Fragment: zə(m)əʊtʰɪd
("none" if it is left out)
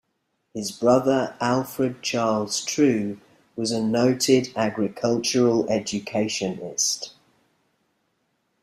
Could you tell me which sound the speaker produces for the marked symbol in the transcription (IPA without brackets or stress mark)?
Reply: n